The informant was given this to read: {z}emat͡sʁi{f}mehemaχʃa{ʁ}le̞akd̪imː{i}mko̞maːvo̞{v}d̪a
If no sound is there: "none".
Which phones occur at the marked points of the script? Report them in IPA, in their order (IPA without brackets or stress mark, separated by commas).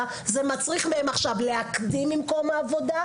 z, χ, v, i, none